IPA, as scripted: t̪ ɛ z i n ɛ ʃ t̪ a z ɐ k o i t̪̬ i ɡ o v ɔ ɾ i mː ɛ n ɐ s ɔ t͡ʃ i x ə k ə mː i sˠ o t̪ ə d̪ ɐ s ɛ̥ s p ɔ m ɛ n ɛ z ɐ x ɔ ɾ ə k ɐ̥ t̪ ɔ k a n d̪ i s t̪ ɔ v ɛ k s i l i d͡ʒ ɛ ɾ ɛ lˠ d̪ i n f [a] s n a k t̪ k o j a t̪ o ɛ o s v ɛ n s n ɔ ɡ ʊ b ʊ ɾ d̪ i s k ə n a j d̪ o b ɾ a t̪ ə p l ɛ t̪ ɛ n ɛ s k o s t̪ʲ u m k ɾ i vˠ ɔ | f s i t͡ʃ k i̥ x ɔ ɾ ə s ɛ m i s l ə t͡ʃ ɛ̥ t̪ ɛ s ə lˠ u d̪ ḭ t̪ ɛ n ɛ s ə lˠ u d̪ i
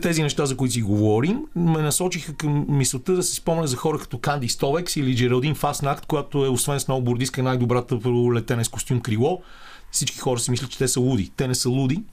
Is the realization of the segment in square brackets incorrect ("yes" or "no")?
no